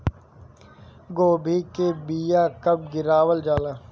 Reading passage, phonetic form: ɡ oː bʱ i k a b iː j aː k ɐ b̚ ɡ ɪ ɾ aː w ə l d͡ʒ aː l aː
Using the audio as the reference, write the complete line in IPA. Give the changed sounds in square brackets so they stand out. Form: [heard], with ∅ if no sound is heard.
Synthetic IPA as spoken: ɡ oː bʱ i k [e] b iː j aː k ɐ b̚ ɡ ɪ ɾ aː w ə l d͡ʒ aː l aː